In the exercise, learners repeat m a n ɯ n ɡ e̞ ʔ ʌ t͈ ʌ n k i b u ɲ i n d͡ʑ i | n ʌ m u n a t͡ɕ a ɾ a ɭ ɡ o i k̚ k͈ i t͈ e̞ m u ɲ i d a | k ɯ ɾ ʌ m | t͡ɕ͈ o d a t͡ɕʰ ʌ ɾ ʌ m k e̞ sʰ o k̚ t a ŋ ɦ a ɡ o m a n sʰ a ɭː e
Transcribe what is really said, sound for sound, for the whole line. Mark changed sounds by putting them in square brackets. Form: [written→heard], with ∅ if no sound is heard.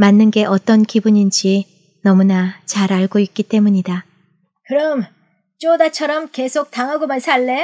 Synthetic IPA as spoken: m a [n→nː] ɯ n ɡ e̞ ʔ ʌ t͈ ʌ n k i b u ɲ i n d͡ʑ i | n ʌ m u n a t͡ɕ a ɾ a ɭ ɡ o i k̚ k͈ i t͈ e̞ m u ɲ i d a | k ɯ ɾ ʌ m | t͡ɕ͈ o d a t͡ɕʰ ʌ ɾ ʌ m k e̞ sʰ o k̚ t a ŋ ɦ a ɡ o m a n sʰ a ɭː e